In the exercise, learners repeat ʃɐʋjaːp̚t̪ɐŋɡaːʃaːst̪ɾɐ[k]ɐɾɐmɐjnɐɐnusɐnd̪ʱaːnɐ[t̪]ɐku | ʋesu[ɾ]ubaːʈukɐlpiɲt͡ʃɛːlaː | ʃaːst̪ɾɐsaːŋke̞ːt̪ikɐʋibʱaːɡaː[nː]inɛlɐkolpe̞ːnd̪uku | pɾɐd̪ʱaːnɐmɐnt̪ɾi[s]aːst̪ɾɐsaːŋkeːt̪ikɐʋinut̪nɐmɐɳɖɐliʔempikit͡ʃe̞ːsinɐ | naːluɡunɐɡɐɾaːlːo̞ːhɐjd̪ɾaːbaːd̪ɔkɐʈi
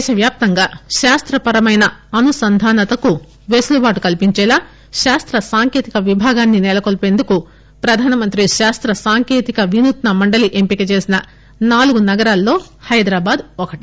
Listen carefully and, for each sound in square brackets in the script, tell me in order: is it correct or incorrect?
incorrect, correct, incorrect, correct, incorrect

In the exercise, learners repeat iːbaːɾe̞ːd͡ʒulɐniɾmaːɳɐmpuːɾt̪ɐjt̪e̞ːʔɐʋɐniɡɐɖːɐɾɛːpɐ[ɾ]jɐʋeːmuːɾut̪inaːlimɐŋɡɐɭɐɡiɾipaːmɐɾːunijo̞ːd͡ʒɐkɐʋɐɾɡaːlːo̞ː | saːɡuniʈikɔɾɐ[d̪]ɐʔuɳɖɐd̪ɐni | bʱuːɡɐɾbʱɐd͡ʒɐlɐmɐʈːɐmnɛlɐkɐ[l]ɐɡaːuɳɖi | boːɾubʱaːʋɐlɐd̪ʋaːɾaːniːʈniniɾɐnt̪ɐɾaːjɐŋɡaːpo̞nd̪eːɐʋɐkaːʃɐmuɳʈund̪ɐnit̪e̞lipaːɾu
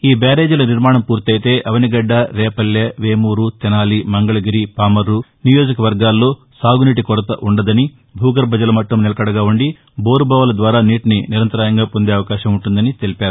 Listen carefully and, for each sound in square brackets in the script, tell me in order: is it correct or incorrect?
incorrect, incorrect, incorrect

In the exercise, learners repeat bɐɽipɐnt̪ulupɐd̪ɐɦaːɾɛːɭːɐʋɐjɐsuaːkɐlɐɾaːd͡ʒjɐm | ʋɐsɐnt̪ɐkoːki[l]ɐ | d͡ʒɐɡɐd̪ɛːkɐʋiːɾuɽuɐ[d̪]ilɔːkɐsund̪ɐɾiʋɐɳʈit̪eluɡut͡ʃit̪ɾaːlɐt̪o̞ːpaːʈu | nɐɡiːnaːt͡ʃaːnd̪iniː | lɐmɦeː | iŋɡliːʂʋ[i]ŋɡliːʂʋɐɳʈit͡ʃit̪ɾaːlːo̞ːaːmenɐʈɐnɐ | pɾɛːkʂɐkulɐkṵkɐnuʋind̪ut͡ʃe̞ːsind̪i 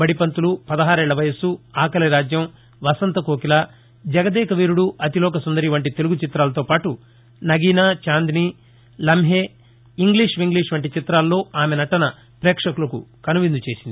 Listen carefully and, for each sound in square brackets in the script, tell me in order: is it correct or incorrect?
correct, incorrect, correct

